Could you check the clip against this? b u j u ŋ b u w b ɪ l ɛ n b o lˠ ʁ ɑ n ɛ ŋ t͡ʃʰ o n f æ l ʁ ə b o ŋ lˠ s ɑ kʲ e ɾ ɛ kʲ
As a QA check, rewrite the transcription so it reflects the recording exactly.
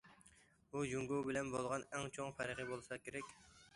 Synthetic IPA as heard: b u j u ŋ ɡ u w b ɪ l ɛ n b o lˠ ʁ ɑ n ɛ ŋ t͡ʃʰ o ŋ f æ ɾ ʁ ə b o lˠ s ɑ kʲ e ɾ ɛ kʲ

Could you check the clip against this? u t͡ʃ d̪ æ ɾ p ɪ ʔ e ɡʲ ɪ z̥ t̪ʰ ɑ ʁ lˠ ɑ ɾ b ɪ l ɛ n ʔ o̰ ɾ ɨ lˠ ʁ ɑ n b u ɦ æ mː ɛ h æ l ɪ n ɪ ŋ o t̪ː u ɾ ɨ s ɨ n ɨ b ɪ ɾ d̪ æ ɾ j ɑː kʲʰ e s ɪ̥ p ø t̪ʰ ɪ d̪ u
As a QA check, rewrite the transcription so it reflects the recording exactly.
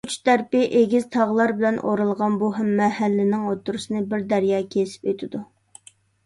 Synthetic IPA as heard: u t͡ʃ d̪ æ ɾ p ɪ ʔ e ɡʲ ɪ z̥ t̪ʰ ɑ ʁ lˠ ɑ ɾ b ɪ l ɛ n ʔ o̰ ɾ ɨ lˠ ʁ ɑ n b u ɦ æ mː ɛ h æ lː ɪ n ɪ ŋ o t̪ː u ɾ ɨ s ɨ n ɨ b ɪ ɾ d̪ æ ɾ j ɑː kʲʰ e s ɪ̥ p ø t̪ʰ ɪ d̪ u

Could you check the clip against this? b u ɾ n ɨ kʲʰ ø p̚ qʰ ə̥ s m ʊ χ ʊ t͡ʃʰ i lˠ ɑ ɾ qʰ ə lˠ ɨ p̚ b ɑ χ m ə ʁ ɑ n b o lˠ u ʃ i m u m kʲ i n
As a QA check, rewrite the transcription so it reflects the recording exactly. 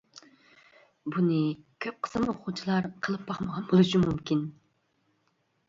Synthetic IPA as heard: b u n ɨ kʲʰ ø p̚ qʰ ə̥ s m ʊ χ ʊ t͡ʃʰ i lˠ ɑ ɾ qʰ ə lˠ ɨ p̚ b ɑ χ m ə ʁ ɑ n b o lˠ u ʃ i m u m kʲ i n

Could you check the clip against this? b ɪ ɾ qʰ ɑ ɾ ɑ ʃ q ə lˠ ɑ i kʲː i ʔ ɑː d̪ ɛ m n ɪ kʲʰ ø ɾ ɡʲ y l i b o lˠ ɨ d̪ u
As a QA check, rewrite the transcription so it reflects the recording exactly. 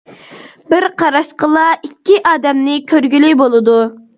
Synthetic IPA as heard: b ɪ ɾ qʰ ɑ ɾ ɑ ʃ q ə lˠ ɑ i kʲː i ʔ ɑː d̪ ɛ m n ɪ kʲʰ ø ɾ ɡʲ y l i b o lˠ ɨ d̪ u

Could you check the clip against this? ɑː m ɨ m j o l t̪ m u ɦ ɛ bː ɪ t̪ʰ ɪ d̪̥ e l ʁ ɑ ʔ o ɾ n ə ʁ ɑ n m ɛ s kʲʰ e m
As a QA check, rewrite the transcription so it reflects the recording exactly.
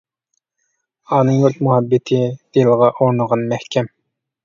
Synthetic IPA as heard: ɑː n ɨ ŋ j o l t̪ m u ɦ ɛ bː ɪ t̪ʰ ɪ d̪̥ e l ʁ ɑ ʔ o ɾ n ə ʁ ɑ n m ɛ h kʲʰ ɛ m

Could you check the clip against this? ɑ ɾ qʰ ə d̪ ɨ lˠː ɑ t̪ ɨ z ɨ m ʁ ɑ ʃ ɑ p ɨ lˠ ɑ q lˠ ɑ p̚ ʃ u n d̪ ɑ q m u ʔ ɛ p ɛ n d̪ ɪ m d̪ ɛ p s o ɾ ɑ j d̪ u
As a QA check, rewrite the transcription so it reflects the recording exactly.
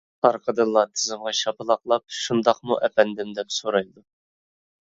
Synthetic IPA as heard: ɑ ɾ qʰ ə d̪ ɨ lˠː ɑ t̪ʰ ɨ z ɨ m ʁ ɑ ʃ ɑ p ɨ lˠ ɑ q lˠ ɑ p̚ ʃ u n d̪ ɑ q m u ʔ ɛ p ɛ n d̪ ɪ m d̪ ɛ p s o ɾ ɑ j d̪ u

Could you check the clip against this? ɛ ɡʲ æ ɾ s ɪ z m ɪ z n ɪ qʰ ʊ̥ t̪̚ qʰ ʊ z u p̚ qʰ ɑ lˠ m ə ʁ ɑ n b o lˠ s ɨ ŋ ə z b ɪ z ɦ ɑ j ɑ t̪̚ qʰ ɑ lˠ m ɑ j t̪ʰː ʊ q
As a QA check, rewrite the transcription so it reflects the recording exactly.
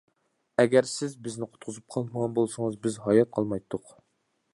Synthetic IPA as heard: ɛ ɡʲ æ ɾ s ɪ z b ɪ z n ɪ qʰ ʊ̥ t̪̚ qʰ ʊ z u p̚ qʰ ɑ lˠ m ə ʁ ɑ n b o lˠ s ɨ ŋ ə z b ɪ z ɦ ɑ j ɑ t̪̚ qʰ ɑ lˠ m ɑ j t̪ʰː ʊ q

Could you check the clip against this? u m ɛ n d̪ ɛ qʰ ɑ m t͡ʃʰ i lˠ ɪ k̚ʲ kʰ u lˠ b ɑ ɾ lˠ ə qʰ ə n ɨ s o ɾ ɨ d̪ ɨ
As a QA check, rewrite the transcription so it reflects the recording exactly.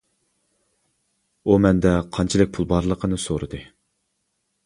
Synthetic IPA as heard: u m ɛ n d̪ ɛ qʰ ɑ n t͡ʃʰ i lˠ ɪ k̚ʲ pʰ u lˠ b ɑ ɾ lˠ ə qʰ ə n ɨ s o ɾ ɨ d̪ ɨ

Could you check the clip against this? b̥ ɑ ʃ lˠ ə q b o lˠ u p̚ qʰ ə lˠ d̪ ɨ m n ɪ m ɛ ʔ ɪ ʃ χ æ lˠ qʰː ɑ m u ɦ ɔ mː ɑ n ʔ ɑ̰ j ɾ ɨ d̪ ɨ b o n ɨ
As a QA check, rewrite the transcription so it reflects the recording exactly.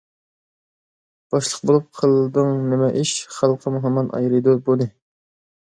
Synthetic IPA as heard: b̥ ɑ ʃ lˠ ə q b o lˠ u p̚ qʰ ə lˠ d̪ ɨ ŋ n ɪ m ɛ ʔ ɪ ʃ χ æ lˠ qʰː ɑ m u ɦ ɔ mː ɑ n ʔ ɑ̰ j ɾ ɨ d̪ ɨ b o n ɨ

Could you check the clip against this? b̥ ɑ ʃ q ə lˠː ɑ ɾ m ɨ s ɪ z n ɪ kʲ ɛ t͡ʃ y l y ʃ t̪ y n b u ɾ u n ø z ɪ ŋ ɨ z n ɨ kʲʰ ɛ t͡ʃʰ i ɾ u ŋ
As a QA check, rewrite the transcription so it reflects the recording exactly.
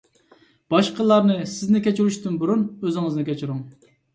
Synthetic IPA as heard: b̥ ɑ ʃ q ə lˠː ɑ ɾ n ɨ s ɪ z n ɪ kʲ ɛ t͡ʃ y ɾ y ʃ t̪ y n b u ɾ u n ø z ɪ ŋ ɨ z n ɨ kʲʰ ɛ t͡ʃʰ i ɾ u ŋ

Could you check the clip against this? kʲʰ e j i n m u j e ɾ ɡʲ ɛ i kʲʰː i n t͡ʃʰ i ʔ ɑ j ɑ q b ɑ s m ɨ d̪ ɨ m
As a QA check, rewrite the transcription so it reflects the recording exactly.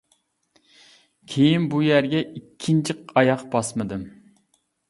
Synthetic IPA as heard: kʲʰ e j i n b u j æ ɾ ɡʲ ɛ i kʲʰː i n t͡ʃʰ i q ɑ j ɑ q b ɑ s m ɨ d̪ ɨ m

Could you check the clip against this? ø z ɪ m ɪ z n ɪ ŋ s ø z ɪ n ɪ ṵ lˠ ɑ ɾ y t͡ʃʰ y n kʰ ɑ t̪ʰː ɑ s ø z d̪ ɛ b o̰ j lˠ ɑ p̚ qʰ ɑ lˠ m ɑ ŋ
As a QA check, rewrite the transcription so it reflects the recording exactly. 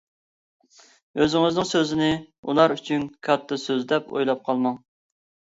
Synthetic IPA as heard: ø z ɪ ŋ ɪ z n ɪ ŋ s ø z ɪ n ɪ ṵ lˠ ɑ ɾ y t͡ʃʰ y n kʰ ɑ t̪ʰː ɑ s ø z d̪ ɛ p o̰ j lˠ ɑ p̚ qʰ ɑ lˠ m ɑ ŋ

